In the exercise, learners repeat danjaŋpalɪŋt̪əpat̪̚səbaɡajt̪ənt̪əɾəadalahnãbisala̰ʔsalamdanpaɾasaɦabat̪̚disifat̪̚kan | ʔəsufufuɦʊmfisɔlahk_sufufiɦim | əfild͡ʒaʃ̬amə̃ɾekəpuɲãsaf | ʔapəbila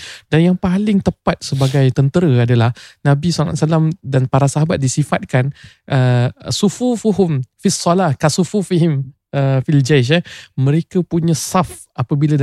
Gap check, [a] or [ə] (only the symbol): a